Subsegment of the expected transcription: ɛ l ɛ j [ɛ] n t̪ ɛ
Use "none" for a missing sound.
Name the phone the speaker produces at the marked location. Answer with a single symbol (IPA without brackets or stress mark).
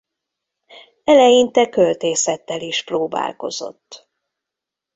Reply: i